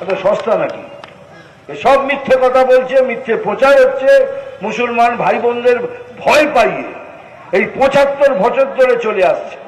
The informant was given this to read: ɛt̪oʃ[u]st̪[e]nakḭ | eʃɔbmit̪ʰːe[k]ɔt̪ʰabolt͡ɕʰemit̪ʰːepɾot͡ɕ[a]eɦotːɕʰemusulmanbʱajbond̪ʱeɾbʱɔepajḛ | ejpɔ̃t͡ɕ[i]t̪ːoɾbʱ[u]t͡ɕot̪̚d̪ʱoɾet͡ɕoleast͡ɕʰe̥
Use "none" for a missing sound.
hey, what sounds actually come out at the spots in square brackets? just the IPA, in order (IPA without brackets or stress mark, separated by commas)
ɔ, a, k, a, a, ɔ